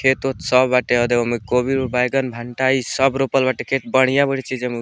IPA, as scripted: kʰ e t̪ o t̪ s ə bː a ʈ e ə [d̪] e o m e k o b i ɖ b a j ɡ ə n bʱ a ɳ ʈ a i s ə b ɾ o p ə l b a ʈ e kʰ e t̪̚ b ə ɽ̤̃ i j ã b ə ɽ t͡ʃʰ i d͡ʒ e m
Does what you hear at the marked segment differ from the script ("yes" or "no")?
no